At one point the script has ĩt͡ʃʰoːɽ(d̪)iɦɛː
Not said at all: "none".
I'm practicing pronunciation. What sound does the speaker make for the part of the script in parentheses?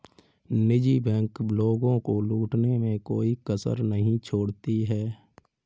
t̪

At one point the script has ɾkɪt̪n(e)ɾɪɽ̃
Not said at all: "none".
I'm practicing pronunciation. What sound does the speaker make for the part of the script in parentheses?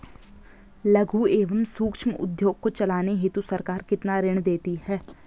a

